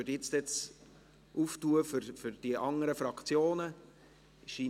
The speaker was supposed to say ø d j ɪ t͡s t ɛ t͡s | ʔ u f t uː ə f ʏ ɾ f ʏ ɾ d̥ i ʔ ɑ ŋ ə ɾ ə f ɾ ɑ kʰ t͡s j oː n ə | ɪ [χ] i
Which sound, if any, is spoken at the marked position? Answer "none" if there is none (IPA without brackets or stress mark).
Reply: ʃ